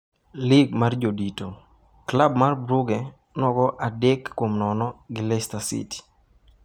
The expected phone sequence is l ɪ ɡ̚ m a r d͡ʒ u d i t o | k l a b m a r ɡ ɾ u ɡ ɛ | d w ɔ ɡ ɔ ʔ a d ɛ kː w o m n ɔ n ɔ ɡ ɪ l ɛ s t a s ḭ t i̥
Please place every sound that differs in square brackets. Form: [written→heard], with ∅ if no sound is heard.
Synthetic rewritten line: l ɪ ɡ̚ m a r d͡ʒ [u→o] d i t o | k l a b m a r [ɡ→b] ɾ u ɡ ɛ | [d→n] w ɔ ɡ ɔ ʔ a d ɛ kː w o m n ɔ n ɔ ɡ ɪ l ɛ s t a s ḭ t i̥

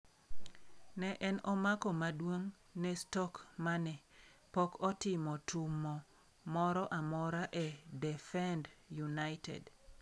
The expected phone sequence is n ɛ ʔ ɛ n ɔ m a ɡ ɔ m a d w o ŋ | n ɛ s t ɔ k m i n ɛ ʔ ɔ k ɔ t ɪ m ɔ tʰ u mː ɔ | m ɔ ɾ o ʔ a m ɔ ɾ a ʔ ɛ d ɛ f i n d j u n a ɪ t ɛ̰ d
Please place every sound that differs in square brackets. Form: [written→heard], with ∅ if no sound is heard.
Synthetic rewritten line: n ɛ ʔ ɛ n ɔ m a [ɡ→k] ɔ m a d w o ŋ | n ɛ s t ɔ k m [i→a] n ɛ [ʔ→p] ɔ k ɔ t ɪ m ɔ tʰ u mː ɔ | m ɔ ɾ [o→ɔ] ʔ a m ɔ ɾ a ʔ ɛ d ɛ f [i→ɛ] n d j u n a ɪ t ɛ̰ d

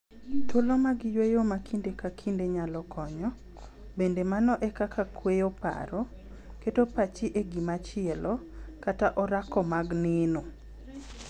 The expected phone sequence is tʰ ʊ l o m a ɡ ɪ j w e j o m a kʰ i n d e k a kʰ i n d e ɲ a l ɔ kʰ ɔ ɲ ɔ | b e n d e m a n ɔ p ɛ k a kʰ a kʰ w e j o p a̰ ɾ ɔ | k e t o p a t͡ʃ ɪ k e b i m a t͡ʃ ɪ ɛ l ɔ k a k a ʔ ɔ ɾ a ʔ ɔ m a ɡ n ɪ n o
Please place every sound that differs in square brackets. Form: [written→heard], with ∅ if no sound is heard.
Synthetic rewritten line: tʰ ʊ l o m a ɡ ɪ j w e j o m a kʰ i n d e k a kʰ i n d e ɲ a l ɔ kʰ ɔ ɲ ɔ | b e n d e m a n ɔ [p→ʔ] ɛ k a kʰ a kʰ w e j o p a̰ ɾ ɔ | k e t o p a t͡ʃ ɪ [k→ʔ] e [b→ɡ] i m a t͡ʃ ɪ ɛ l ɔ k a [k→t] a ʔ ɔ ɾ a [ʔ→k] ɔ m a ɡ n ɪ n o

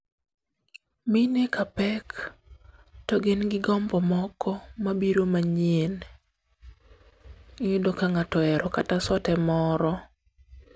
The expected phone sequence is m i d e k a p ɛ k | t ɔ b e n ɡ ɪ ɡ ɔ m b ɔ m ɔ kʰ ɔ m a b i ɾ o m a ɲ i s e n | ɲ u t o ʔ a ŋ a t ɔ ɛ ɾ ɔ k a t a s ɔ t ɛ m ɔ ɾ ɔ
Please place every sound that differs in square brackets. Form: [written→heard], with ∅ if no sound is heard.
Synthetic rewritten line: m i [d→n] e k a p ɛ k | t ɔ [b→ɡ] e n ɡ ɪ ɡ ɔ m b ɔ m ɔ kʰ ɔ m a b i ɾ o m a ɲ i [s→∅] e n | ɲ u [t→d] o [ʔ→k] a ŋ a t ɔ ɛ ɾ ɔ k a t a s ɔ t ɛ m ɔ ɾ ɔ

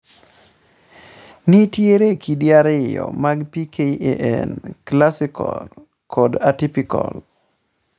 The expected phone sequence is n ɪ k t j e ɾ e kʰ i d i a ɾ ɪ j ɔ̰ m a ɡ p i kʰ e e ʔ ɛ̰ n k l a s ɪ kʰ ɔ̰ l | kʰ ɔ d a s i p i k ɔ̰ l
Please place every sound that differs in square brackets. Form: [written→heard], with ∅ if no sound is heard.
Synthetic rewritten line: n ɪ [k→∅] t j e ɾ e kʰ i d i a ɾ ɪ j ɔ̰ m a ɡ p i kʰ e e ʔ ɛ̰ n k l a s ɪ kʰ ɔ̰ l | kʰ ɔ d a [s→t] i p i k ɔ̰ l

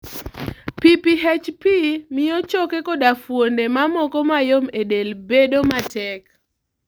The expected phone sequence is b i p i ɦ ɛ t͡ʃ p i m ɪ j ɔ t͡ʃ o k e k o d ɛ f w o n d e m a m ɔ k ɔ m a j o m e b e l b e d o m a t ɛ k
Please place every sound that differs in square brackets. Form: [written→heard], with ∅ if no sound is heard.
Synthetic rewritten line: [b→p] i p i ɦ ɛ t͡ʃ p i m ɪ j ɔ t͡ʃ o k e k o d [ɛ→a] f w o n d e m a m ɔ k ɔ m a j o m e [b→d] e l b e d o m a t ɛ k

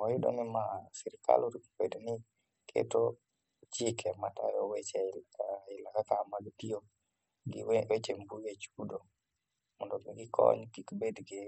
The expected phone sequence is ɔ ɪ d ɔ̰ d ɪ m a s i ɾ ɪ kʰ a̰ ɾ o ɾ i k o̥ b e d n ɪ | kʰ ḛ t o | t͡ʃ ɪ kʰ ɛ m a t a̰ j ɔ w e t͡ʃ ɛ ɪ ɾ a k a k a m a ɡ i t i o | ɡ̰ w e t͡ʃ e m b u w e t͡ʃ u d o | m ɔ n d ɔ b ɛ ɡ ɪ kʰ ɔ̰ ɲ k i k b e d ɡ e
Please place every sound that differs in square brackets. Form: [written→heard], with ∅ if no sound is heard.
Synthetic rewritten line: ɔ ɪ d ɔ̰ [d→n] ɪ m a s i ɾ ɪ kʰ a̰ [ɾ→l] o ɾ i k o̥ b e d n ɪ | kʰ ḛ t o | t͡ʃ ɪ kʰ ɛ m a t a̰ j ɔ w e t͡ʃ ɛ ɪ [ɾ→l] a k a k a m a ɡ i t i o | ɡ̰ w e t͡ʃ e m b u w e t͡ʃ u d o | m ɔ n d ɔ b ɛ ɡ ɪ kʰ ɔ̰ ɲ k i k b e d ɡ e

